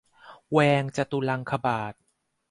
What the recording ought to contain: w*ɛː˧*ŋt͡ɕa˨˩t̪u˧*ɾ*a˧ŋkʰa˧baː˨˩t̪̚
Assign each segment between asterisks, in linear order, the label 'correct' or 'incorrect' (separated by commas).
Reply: correct, incorrect